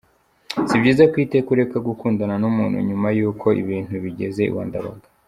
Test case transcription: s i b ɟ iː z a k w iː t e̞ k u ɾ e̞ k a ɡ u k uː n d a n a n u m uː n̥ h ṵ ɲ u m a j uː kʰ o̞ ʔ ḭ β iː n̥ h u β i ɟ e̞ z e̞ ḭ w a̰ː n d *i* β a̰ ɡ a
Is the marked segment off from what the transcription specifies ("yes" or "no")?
yes